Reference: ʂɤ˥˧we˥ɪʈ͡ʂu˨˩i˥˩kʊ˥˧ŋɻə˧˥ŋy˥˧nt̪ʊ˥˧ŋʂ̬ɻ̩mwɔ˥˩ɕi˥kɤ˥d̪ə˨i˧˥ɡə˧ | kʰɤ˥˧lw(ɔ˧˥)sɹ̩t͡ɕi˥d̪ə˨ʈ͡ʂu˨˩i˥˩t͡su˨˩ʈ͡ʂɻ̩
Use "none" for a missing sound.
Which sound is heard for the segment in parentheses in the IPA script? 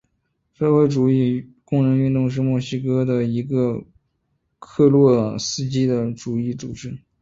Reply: ɔ˥˩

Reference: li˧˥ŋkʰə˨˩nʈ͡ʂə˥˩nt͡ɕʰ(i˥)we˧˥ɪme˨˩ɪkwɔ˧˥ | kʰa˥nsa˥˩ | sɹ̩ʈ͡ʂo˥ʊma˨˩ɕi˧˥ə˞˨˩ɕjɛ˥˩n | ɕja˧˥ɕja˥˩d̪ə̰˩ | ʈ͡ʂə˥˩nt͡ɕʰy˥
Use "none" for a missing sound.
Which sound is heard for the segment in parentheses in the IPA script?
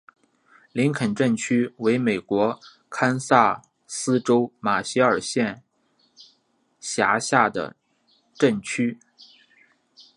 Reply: y˥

